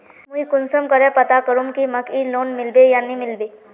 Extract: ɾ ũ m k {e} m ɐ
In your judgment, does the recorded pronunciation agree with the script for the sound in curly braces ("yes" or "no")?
no